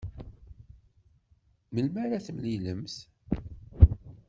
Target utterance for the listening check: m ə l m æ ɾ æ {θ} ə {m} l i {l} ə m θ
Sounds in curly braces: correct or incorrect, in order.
correct, correct, correct

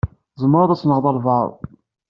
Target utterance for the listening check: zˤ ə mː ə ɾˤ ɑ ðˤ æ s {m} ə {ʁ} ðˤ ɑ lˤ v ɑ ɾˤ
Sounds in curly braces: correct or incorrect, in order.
incorrect: n, correct

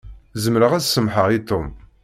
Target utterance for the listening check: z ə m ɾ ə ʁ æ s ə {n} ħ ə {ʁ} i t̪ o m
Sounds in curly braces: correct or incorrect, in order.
incorrect: m, correct

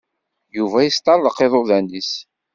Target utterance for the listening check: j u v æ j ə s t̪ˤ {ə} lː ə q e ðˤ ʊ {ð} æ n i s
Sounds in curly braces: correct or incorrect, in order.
incorrect: ɑ, correct

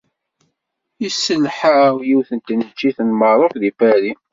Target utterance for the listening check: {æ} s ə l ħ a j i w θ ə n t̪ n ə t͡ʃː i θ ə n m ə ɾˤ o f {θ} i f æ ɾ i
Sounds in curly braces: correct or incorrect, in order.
incorrect: i, incorrect: ð

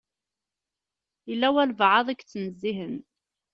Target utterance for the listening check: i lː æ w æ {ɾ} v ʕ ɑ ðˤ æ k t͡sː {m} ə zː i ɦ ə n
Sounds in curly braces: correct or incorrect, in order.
incorrect: l, incorrect: n

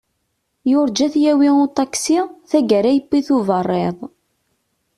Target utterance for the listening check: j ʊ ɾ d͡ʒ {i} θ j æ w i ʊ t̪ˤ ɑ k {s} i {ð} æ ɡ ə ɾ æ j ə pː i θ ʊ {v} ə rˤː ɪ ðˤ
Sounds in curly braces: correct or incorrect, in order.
incorrect: æ, correct, incorrect: θ, correct

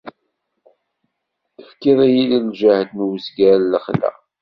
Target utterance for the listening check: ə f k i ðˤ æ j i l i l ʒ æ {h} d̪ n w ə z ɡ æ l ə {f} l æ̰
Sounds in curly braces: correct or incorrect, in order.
correct, incorrect: χ

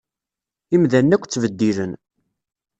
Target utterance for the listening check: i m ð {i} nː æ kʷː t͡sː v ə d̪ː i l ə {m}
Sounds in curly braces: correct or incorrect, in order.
incorrect: æ, incorrect: n

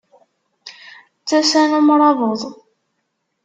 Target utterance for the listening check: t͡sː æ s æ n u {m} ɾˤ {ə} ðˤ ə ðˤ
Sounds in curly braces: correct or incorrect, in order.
correct, incorrect: ɑ

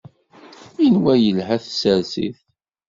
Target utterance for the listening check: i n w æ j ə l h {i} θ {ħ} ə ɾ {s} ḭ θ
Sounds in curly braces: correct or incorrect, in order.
incorrect: æ, incorrect: s, correct

